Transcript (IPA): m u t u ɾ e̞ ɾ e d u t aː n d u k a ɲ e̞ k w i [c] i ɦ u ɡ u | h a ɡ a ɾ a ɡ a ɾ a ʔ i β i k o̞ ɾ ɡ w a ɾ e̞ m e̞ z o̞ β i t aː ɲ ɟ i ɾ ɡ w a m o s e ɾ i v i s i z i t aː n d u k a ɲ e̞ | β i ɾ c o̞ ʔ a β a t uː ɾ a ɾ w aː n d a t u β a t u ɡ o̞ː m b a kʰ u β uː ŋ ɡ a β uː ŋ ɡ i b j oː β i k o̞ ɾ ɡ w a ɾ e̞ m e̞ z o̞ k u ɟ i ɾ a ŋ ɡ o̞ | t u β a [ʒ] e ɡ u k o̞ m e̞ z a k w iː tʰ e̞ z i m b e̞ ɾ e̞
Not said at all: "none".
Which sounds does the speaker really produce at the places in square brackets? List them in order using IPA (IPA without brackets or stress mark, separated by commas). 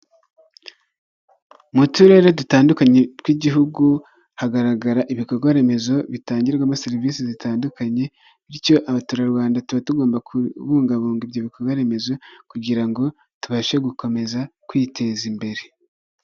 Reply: ɟ, ʃ